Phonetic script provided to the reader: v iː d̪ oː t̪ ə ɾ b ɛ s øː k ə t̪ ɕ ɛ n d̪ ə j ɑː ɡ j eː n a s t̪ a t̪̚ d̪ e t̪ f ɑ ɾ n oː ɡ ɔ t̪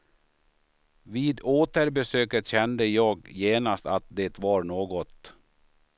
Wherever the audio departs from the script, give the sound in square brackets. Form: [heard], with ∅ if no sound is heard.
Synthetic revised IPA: v iː d̪ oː t̪ ə ɾ b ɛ s øː k ə t̪ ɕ ɛ n d̪ ə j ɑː ɡ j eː n a s t̪ a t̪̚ d̪ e t̪ [v] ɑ ɾ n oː ɡ ɔ t̪